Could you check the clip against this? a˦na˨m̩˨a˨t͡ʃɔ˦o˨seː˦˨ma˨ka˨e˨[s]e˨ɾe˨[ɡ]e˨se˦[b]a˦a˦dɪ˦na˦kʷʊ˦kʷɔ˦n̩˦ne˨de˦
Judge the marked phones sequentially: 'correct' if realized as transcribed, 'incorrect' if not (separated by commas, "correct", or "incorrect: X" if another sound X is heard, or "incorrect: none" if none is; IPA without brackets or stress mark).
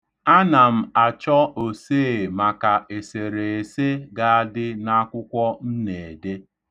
correct, incorrect: none, incorrect: ɡ